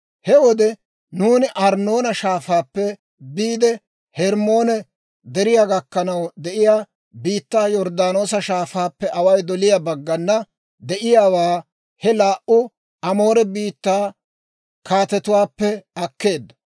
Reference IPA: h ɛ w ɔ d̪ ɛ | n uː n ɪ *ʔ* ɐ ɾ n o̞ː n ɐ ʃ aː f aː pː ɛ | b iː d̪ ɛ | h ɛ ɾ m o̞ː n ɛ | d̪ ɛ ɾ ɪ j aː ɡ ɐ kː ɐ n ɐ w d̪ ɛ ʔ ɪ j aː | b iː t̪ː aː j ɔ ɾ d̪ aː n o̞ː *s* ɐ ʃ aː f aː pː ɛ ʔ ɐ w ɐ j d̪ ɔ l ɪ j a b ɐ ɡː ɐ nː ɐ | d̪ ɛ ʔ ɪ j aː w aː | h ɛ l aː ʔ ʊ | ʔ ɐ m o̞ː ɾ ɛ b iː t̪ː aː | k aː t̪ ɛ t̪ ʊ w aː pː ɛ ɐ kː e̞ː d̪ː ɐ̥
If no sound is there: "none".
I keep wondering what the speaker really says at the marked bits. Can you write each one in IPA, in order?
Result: ʔ, s

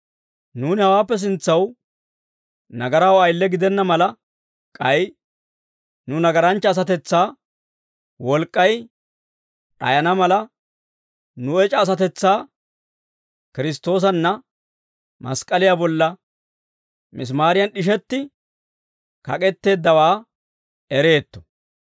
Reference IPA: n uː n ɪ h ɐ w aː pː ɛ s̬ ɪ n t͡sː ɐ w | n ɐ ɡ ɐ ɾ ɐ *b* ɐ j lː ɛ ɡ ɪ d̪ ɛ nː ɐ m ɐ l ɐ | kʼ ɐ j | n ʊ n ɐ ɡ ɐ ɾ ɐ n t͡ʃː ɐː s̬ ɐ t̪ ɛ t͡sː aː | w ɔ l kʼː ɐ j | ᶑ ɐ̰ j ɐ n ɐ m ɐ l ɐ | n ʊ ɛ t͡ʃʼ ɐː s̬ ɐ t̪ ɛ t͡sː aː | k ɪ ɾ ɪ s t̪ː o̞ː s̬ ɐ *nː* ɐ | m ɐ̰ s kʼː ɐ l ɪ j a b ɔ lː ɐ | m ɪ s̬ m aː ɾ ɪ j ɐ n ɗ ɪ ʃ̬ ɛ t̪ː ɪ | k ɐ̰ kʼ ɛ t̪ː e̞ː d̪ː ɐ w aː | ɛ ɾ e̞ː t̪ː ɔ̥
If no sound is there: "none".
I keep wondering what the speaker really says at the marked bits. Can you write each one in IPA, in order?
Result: w, nː

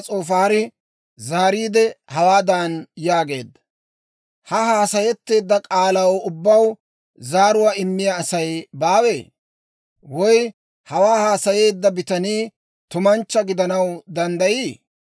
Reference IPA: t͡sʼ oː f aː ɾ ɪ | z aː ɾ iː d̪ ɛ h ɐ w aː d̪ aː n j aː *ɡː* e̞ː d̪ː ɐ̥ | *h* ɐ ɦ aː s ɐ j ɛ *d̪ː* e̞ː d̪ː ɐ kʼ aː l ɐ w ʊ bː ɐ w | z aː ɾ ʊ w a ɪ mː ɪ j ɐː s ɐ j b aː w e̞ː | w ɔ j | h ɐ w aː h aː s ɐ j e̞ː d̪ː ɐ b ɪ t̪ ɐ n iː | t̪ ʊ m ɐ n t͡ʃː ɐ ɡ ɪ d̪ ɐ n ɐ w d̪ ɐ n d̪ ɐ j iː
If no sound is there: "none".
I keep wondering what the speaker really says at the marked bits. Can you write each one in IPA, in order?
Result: ɡ, h, t̪ː

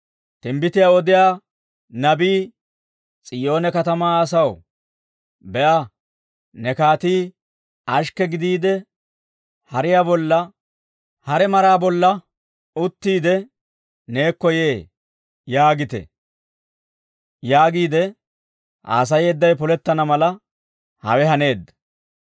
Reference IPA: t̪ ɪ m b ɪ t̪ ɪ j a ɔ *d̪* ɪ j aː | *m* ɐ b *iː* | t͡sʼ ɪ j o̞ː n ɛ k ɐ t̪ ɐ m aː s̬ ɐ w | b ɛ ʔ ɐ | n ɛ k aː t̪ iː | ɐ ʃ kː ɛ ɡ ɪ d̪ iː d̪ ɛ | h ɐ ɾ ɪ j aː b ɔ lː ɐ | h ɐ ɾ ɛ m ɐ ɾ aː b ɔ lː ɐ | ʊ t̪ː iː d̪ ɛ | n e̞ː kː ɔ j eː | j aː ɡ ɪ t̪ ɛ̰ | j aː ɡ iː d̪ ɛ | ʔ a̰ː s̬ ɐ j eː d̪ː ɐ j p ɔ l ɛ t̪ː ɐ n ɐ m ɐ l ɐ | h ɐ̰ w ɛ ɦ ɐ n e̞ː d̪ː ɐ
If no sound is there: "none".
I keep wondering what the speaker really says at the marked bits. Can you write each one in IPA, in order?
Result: d̪, n, iː

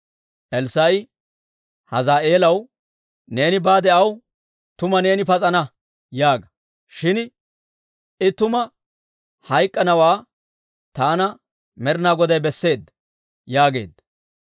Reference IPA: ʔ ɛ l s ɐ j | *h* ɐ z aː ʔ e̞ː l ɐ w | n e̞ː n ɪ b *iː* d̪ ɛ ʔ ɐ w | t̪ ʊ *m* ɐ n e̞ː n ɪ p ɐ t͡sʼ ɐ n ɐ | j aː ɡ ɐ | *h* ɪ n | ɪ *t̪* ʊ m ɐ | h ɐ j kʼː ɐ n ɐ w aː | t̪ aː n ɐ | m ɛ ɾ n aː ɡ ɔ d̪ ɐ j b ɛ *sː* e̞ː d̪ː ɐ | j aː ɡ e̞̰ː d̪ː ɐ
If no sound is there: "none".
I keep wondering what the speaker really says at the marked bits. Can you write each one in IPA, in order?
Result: h, aː, m, ʃ, t̪, sː

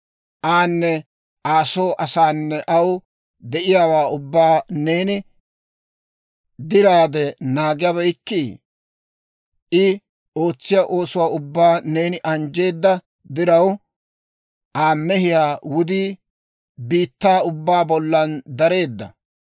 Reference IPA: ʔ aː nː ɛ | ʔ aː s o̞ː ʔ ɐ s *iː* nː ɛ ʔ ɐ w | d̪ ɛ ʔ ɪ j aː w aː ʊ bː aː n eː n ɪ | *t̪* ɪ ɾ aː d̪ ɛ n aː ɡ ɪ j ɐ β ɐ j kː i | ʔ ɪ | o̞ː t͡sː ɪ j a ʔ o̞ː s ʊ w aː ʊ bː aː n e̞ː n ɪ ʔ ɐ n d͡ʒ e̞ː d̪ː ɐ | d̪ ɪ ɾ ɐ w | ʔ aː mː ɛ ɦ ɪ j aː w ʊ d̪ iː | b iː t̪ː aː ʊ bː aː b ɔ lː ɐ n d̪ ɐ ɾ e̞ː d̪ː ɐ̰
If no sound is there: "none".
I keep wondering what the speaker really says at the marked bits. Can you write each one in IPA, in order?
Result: aː, d̪

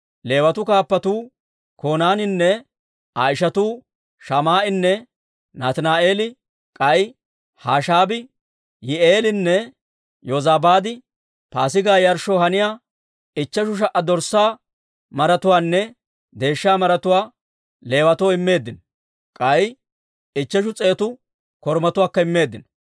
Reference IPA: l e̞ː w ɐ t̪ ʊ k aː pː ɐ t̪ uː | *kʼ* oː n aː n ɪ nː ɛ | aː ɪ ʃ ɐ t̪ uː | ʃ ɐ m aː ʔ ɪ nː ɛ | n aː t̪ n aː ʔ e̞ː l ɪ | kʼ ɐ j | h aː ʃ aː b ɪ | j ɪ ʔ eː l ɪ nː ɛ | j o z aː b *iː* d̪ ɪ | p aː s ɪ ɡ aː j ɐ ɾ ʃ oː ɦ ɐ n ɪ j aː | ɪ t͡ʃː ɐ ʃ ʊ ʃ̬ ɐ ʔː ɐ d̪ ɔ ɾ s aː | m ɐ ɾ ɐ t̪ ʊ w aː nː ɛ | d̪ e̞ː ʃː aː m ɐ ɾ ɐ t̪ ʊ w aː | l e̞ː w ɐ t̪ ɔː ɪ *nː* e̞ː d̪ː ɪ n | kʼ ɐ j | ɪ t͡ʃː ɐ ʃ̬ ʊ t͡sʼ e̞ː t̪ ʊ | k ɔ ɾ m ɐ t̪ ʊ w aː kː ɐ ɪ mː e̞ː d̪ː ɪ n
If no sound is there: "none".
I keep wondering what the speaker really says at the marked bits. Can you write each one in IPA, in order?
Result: k, aː, mː

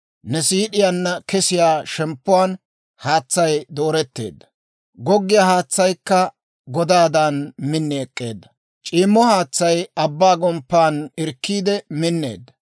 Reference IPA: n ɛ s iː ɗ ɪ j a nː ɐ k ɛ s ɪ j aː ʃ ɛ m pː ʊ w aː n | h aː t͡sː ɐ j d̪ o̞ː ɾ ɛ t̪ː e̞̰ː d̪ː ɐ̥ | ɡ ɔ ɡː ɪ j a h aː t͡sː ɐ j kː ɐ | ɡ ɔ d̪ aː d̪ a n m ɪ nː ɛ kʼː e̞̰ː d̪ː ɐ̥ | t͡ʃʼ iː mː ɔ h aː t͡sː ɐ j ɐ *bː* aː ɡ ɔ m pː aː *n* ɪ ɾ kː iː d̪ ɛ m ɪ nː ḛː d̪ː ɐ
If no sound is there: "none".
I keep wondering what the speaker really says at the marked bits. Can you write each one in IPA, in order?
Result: bː, n

